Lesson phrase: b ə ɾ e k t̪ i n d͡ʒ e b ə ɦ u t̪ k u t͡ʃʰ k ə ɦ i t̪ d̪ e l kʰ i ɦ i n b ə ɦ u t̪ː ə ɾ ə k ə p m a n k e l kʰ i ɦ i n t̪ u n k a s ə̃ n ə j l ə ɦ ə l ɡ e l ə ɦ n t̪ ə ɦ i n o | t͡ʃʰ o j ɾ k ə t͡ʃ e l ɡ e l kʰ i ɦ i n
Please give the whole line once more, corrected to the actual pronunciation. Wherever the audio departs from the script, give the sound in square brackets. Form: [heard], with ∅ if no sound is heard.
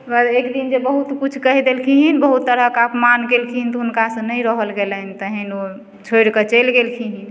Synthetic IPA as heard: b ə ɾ e k [d̪] i n d͡ʒ e b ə ɦ u t̪ k u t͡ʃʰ k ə ɦ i [∅] d̪ e l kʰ i ɦ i n b ə ɦ u t̪ː ə ɾ ə k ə p m a n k e l kʰ i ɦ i n t̪ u n k a s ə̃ n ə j [ɾ] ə ɦ ə l ɡ e l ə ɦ n t̪ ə ɦ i n o | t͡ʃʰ o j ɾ k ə t͡ʃ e l ɡ e l kʰ i ɦ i n